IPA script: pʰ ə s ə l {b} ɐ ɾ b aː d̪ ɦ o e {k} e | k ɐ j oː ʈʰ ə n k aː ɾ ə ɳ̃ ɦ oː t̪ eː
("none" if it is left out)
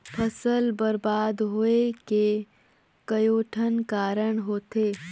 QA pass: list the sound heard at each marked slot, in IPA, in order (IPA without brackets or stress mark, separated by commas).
b, k